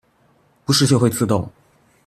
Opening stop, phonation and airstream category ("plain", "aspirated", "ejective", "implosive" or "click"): plain